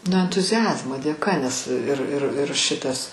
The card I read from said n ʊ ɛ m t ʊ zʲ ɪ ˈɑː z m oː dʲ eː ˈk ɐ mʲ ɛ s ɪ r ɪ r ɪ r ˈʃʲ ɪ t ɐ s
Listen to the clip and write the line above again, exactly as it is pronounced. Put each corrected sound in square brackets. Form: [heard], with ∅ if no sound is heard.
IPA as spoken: n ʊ ɛ [n] t ʊ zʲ ɪ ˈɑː z m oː dʲ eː ˈk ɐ [nʲ] ɛ s ɪ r ɪ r ɪ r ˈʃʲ ɪ t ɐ s